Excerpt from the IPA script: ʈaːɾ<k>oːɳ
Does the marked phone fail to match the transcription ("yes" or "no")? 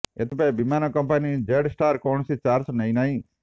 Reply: no